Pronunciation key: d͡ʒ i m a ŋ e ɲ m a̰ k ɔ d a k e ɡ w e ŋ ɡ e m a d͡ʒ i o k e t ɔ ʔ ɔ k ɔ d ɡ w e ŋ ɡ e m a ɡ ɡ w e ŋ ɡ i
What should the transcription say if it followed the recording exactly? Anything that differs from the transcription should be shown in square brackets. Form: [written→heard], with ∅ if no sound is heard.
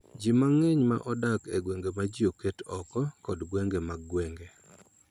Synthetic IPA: d͡ʒ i m a ŋ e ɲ m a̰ [k→ʔ] ɔ d a k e ɡ w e ŋ ɡ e m a d͡ʒ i o k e t ɔ [ʔ→k] ɔ k ɔ d ɡ w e ŋ ɡ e m a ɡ ɡ w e ŋ ɡ [i→e]

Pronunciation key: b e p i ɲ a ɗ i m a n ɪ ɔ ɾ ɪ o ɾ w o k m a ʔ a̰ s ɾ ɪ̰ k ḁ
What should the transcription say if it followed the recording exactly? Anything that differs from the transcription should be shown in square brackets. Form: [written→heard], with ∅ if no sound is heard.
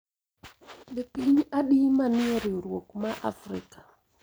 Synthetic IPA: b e p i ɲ a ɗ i m a n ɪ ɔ ɾ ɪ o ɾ w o k m a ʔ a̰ [s→f] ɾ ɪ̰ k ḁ

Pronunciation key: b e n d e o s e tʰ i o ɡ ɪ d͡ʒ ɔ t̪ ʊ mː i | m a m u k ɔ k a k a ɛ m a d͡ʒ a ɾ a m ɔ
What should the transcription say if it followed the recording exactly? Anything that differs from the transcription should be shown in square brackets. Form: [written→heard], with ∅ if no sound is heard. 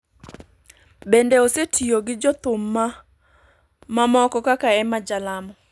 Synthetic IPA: b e n d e o s e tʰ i o ɡ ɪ d͡ʒ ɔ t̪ ʊ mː [i→a] | m a m [u→ɔ] k ɔ k a k a ɛ m a d͡ʒ a [ɾ→l] a m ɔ

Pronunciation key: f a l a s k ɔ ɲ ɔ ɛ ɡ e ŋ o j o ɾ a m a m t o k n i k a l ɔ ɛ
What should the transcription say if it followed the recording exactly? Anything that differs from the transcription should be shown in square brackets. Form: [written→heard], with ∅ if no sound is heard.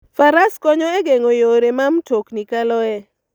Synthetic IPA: f a [l→ɾ] a s k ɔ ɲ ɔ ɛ ɡ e ŋ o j o ɾ [a→e] m a m t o k n i k a l ɔ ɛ

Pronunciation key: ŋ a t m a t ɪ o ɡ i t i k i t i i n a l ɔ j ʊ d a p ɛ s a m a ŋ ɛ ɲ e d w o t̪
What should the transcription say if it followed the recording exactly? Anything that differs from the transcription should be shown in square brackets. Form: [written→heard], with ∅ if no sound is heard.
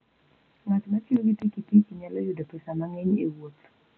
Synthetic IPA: ŋ a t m a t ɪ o ɡ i t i k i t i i [n→ɲ] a l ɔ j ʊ d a p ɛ s a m a ŋ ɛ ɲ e [d→∅] w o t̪

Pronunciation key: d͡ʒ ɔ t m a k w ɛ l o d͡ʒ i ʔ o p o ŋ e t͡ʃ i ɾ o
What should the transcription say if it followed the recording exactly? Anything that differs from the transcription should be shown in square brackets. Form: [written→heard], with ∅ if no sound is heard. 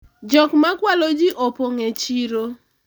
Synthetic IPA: d͡ʒ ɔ [t→k] m a k w [ɛ→a] l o d͡ʒ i ʔ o p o ŋ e t͡ʃ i ɾ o

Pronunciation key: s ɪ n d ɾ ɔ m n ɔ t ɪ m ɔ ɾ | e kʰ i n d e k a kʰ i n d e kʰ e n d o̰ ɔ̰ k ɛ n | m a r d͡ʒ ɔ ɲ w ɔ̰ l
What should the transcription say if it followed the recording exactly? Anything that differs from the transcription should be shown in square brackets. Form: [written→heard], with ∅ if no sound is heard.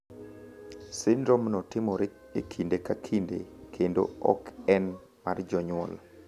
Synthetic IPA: s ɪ n d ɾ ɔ m n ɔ t ɪ m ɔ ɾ | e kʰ i n d e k a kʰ i n d e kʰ e n d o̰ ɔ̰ k ɛ n | m a r d͡ʒ ɔ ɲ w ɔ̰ l

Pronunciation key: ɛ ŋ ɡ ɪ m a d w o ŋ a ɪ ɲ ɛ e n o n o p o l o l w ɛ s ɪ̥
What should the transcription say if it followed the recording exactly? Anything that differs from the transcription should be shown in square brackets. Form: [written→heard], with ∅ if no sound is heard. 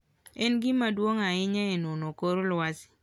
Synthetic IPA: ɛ [ŋ→n] ɡ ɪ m a d w o ŋ a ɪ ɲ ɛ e n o n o [p→k] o [l→ɾ] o l w [ɛ→a] s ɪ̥

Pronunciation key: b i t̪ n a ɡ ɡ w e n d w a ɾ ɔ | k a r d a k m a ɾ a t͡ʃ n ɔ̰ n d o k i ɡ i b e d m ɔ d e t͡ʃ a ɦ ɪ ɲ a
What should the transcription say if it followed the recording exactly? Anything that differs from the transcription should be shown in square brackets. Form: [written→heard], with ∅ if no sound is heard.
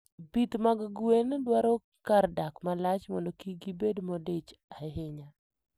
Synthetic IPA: b i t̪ [n→m] a ɡ ɡ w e n d w a ɾ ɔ | k a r d a k m a [ɾ→l] a t͡ʃ [n→m] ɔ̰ n d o k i ɡ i b e d m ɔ d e t͡ʃ a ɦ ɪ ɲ a

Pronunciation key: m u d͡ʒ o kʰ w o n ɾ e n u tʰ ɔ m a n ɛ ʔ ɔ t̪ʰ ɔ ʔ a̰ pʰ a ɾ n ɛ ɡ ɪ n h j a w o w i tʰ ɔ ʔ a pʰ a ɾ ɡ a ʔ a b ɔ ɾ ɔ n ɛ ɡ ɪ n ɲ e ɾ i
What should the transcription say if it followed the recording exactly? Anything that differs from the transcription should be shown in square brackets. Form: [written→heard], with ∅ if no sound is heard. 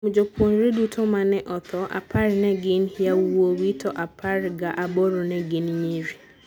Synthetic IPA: m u d͡ʒ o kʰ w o n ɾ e [n→d] u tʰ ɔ m a n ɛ ʔ ɔ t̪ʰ ɔ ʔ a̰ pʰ a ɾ n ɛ ɡ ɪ n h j a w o w i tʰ ɔ ʔ a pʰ a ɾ ɡ a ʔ a b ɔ ɾ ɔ n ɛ ɡ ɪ n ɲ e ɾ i

